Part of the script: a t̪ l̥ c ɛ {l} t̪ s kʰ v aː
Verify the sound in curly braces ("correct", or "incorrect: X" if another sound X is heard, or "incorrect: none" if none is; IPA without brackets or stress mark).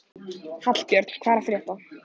incorrect: ɾ